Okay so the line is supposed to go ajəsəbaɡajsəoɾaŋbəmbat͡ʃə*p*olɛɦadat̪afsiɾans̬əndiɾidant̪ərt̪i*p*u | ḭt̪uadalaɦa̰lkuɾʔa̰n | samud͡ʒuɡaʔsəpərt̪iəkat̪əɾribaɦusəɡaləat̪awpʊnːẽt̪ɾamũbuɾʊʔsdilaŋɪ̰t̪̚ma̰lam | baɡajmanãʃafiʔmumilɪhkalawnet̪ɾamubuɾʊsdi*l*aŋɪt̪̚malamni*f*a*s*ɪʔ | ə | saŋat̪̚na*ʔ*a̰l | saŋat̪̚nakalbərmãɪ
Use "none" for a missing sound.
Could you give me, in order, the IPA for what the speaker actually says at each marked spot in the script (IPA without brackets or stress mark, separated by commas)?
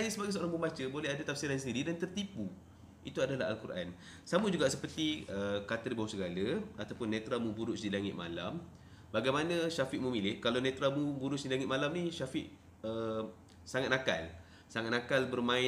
b, p, l, ʃ, f, k